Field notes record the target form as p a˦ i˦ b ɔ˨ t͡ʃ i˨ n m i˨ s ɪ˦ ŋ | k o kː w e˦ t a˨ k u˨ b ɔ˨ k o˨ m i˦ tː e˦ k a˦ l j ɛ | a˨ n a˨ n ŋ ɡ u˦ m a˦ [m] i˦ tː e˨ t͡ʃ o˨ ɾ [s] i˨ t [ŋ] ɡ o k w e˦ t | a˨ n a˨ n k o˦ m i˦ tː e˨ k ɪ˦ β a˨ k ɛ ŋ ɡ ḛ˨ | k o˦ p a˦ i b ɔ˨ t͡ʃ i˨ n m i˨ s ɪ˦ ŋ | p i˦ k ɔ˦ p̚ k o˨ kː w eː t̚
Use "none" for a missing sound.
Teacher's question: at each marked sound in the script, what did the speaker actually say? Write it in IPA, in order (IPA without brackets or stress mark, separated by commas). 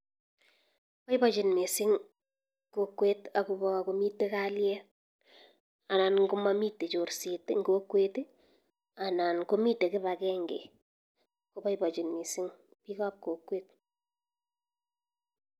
m, s, ŋ